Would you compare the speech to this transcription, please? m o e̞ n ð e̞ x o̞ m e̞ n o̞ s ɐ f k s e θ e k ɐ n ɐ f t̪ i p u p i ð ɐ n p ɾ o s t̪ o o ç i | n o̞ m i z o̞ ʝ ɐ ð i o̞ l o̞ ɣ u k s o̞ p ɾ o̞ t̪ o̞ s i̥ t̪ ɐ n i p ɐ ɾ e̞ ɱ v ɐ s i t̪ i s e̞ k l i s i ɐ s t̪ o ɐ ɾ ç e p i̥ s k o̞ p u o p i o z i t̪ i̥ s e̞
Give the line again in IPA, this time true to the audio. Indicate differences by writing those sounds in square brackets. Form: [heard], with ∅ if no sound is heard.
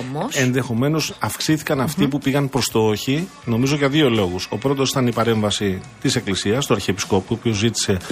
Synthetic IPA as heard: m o e̞ n ð e̞ x o̞ m e̞ n o̞ s ɐ f k s [i] θ [i] k ɐ n ɐ f t̪ i p u p i [ɣ] ɐ n p ɾ o s t̪ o o ç i | n o̞ m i z o̞ ʝ ɐ ð i o̞ l o̞ ɣ u [∅] s o̞ p ɾ o̞ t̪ o̞ s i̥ t̪ ɐ n i p ɐ ɾ e̞ ɱ v ɐ s i t̪ i s e̞ k l i s i ɐ s t̪ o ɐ ɾ ç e p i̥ s k o̞ p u o p i o z i t̪ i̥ s e̞